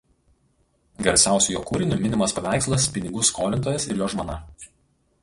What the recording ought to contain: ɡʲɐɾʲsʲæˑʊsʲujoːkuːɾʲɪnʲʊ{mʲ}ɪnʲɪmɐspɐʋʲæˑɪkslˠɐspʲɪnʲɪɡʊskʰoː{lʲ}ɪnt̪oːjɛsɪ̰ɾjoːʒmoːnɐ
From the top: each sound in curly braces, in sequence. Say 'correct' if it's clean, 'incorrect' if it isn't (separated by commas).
correct, correct